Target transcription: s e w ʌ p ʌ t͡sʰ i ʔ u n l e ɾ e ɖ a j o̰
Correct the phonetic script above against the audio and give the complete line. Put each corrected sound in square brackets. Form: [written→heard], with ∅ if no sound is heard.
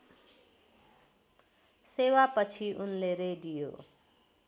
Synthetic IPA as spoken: s e w [ʌ→a] p ʌ t͡sʰ i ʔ u n l e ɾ e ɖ [a→i] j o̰